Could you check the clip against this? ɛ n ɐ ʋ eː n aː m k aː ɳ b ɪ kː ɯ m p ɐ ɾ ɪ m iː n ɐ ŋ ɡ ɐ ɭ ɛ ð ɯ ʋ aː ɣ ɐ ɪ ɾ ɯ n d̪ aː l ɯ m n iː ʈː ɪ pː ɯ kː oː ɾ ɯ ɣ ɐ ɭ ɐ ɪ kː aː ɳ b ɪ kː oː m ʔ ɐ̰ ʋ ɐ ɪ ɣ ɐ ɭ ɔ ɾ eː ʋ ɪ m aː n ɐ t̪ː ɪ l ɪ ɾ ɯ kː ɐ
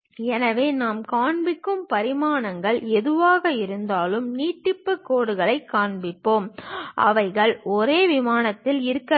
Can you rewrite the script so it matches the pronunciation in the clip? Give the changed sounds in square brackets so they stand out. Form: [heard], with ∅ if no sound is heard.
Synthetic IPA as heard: ɛ n ɐ ʋ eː n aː m k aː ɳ b ɪ kː ɯ m p ɐ ɾ ɪ m [aː] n ɐ ŋ ɡ ɐ ɭ ɛ ð ɯ ʋ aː ɣ ɐ ɪ ɾ ɯ n d̪ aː l ɯ m n iː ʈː ɪ pː ɯ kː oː [ɽ] ɯ ɣ ɐ ɭ ɐ ɪ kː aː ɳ b ɪ [pː] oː m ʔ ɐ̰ ʋ ɐ ɪ ɣ ɐ ɭ ɔ ɾ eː ʋ ɪ m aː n ɐ t̪ː ɪ l ɪ ɾ ɯ kː ɐ